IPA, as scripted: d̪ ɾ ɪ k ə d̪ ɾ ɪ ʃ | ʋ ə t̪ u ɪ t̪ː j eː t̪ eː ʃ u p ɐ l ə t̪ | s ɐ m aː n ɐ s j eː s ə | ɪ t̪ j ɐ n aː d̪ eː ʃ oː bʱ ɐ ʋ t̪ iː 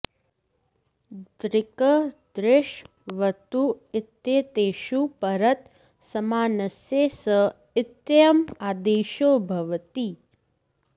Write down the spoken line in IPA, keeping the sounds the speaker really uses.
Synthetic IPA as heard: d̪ ɾ ɪ k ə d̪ ɾ ɪ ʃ | ʋ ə t̪ u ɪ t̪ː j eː t̪ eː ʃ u p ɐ ɾ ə t̪ | s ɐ m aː n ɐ s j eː s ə | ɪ t̪ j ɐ m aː d̪ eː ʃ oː bʱ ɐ ʋ t̪ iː